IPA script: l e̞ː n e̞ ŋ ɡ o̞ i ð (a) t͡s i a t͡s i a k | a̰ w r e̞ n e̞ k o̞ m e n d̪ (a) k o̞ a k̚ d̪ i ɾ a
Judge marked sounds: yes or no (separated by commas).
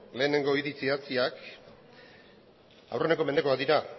no, no